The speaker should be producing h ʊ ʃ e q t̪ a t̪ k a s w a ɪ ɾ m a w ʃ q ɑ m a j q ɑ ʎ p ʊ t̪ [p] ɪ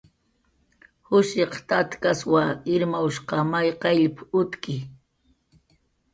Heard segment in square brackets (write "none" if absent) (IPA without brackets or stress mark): k